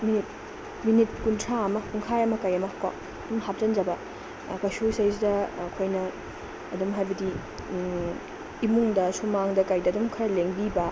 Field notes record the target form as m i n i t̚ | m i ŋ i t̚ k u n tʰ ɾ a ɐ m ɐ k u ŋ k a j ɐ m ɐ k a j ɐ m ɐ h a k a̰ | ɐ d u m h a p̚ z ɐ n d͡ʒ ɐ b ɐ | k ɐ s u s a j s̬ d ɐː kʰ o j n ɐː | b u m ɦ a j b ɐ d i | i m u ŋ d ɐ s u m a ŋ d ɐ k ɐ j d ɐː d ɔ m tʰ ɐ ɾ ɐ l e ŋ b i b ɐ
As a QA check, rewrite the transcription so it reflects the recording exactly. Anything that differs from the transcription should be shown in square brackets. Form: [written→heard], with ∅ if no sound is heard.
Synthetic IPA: m i n i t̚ | m i [ŋ→n] i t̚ k u n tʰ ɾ a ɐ m ɐ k u ŋ [k→kʰ] a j ɐ m ɐ k a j ɐ m ɐ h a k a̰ | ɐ d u m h a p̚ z ɐ n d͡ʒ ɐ b ɐ | k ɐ s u s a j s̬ d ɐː kʰ o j n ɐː | [b→d] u m ɦ a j b ɐ d i | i m u ŋ d ɐ s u m a ŋ d ɐ k [ɐ→a] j d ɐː d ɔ m [tʰ→kʰ] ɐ ɾ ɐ l e ŋ b i b ɐ